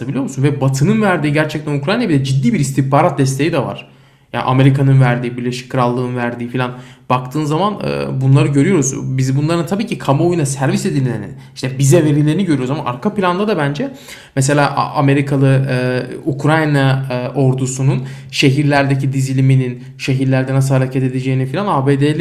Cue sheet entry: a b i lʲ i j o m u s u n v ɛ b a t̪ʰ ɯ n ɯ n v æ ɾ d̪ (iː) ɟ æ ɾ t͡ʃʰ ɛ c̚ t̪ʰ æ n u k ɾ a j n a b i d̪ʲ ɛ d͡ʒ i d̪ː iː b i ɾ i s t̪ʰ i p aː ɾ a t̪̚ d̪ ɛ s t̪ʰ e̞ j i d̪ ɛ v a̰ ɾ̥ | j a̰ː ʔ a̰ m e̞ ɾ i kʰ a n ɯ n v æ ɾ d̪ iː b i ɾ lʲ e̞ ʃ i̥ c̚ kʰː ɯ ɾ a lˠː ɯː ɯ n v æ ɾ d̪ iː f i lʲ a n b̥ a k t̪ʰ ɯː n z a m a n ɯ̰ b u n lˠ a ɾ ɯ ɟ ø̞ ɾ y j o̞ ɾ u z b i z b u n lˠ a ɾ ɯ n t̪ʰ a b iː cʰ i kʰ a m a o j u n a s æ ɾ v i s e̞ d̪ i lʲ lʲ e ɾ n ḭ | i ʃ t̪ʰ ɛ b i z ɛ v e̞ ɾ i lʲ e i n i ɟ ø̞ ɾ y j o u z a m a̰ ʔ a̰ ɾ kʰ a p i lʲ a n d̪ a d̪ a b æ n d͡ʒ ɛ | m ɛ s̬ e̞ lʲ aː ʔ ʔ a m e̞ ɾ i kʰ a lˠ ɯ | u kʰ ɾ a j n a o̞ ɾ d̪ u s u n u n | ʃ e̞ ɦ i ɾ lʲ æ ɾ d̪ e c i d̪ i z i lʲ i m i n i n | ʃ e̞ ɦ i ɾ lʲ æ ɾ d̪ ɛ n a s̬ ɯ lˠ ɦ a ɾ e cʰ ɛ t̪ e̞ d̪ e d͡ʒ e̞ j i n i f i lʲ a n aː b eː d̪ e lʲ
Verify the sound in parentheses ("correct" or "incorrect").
correct